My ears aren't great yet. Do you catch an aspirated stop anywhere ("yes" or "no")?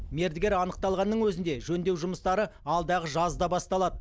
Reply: no